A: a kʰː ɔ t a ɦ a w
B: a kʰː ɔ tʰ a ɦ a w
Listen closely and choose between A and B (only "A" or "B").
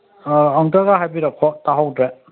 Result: A